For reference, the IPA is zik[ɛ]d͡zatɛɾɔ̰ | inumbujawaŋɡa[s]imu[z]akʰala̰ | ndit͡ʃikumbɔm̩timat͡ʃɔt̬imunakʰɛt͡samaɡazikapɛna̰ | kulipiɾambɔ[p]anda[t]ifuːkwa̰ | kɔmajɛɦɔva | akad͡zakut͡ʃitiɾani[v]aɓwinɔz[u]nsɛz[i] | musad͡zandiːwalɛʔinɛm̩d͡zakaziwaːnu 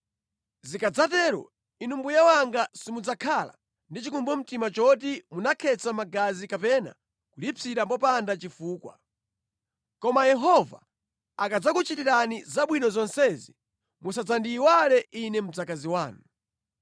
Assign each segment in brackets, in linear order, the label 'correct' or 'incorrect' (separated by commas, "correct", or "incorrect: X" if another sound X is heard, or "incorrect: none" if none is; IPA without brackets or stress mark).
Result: incorrect: a, correct, incorrect: d͡z, correct, incorrect: t͡ʃ, incorrect: z, incorrect: ɔ, correct